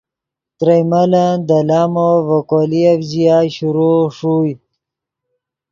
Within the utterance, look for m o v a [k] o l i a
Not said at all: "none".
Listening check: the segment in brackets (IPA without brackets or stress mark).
k